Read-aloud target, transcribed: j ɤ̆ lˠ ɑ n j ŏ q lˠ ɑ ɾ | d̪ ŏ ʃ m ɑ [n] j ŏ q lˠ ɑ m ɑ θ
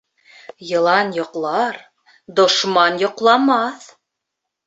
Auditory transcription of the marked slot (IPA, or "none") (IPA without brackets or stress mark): n